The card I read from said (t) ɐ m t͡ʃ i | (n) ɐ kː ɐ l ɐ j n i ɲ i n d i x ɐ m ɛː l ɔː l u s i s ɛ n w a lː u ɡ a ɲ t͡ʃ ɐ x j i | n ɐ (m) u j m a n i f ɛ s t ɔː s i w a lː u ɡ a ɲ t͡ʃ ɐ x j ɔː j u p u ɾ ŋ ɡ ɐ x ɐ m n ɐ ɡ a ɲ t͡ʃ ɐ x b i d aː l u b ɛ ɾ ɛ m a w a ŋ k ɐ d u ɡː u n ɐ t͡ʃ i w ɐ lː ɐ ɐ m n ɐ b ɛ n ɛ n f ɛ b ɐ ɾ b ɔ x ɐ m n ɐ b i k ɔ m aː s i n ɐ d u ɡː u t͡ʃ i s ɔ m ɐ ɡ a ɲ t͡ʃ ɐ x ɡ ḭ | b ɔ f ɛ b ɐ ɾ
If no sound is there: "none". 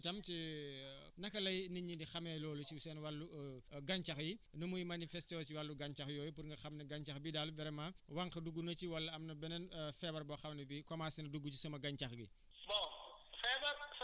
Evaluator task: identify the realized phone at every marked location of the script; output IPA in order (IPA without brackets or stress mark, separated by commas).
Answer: t, n, m